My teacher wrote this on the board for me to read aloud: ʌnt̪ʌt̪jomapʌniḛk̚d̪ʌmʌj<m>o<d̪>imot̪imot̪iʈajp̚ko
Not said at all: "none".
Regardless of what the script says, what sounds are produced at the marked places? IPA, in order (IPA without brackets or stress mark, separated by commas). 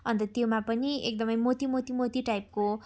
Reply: m, t̪